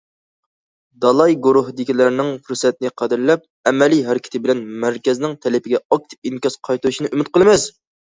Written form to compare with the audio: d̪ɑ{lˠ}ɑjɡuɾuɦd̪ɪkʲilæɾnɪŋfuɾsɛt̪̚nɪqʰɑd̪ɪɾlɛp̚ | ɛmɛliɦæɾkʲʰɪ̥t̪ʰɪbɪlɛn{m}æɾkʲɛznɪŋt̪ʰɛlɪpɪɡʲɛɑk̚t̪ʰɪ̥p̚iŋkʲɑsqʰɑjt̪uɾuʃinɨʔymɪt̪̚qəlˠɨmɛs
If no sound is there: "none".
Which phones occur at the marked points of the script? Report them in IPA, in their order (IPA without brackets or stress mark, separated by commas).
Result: lˠ, m